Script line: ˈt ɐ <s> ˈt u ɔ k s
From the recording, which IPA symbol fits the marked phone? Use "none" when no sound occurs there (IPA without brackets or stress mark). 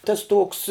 s